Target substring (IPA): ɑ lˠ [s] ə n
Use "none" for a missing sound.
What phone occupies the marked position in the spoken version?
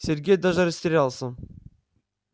s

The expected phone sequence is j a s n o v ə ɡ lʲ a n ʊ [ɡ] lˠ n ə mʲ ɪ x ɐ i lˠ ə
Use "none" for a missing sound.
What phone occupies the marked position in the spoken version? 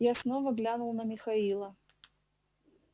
none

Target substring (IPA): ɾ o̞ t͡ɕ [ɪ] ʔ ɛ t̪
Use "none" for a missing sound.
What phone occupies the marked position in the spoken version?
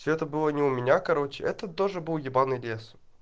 ɪ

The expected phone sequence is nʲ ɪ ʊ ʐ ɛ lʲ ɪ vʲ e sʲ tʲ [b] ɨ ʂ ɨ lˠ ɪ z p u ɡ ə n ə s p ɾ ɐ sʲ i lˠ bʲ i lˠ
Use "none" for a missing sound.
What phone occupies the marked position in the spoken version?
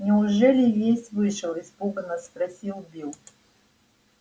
v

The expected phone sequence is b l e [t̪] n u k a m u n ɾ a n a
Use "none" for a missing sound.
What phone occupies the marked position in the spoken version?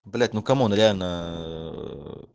t̪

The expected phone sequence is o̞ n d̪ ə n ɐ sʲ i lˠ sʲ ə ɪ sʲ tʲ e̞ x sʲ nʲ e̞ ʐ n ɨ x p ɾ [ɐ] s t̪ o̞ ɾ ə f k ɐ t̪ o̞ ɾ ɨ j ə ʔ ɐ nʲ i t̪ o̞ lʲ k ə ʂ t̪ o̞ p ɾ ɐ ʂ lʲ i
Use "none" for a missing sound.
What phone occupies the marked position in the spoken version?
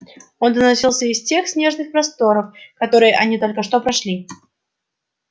ɐ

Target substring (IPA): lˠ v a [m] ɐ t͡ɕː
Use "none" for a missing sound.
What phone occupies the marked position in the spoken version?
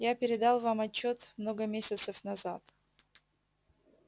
m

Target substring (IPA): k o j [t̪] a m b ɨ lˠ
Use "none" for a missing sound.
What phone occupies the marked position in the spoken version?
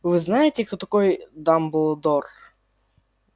d̪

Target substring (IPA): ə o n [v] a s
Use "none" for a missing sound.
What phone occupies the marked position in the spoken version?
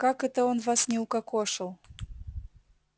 v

